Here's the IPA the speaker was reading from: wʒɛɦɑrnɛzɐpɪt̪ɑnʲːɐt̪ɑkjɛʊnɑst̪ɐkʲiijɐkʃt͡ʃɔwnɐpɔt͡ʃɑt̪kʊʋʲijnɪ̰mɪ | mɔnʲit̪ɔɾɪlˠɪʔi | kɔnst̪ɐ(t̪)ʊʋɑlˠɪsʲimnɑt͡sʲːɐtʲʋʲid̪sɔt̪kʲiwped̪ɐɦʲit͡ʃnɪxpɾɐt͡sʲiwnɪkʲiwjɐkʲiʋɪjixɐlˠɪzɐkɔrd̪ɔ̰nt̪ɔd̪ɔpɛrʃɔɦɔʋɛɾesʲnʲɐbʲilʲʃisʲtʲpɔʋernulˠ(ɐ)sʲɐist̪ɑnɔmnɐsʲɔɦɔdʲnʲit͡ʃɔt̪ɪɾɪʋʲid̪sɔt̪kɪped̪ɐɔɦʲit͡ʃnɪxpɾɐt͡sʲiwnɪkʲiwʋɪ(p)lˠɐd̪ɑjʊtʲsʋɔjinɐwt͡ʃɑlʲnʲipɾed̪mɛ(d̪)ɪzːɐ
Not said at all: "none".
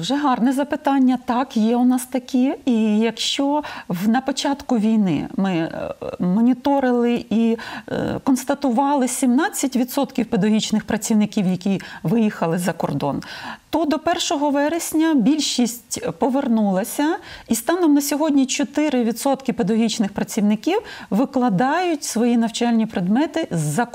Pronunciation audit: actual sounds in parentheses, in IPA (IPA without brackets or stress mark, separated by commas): t̪, ɐ, k, t̪